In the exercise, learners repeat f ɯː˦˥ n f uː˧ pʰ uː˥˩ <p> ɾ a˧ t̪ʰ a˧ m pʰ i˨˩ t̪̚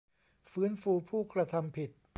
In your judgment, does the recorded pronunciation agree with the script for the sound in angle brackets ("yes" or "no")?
no